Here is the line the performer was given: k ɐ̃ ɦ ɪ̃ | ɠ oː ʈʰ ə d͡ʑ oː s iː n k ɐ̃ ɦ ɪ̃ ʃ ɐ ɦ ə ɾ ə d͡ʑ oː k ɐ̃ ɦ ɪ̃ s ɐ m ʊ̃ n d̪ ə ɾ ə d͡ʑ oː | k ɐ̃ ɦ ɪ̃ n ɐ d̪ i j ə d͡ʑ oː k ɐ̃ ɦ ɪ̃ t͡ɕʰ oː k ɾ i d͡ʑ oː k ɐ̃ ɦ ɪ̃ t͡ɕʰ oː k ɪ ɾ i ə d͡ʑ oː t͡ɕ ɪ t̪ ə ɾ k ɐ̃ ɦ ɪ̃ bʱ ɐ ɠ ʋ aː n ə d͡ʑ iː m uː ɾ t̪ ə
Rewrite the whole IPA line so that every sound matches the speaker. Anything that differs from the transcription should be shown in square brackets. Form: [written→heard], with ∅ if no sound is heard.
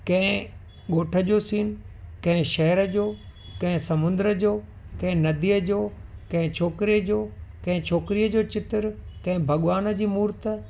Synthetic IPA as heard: k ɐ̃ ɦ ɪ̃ | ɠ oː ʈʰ ə d͡ʑ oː s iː n k ɐ̃ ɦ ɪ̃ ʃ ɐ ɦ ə ɾ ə d͡ʑ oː k ɐ̃ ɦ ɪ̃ s ɐ m ʊ̃ n d̪ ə ɾ ə d͡ʑ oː | k ɐ̃ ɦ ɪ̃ n ɐ d̪ i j ə d͡ʑ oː k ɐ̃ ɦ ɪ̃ t͡ɕʰ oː k ɾ i d͡ʑ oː k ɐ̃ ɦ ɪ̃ t͡ɕʰ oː k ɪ ɾ i ə d͡ʑ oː t͡ɕ ɪ t̪ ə ɾ k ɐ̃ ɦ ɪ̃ bʱ ɐ ɠ ʋ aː n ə d͡ʑ iː m uː ɾ t̪ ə